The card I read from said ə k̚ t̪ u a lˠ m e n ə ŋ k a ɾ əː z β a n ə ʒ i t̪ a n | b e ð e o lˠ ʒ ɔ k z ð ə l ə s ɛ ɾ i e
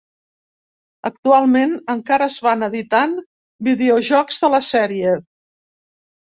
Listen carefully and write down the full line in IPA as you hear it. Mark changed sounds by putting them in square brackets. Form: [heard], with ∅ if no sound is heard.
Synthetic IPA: ə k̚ t̪ u a lˠ m e n ə ŋ k a ɾ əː z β a n ə [ð] i t̪ a n | b [i] ð e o [∅] ʒ ɔ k z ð ə l ə s ɛ ɾ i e